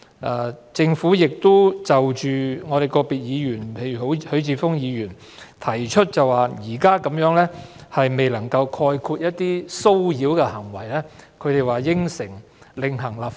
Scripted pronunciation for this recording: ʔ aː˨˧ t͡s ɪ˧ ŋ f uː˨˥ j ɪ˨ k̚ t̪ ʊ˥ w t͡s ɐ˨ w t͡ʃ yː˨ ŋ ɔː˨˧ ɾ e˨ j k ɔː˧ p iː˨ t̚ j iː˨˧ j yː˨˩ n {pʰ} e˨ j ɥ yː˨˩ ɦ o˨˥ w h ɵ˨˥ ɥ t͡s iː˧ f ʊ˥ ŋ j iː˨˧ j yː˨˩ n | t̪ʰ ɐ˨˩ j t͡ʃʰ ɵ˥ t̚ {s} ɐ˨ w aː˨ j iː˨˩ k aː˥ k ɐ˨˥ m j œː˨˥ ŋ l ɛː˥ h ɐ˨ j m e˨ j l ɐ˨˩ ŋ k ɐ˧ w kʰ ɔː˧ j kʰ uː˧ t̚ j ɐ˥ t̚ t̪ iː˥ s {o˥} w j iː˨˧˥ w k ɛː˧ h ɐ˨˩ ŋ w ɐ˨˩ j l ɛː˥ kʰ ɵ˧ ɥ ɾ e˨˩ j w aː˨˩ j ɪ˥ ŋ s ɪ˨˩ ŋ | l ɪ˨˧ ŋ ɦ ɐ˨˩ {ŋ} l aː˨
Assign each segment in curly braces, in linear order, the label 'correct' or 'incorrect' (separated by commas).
correct, incorrect, correct, correct